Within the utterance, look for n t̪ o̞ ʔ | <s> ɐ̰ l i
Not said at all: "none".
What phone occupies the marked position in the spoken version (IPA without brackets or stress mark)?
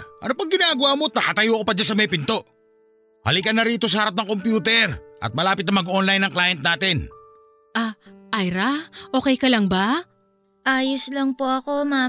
h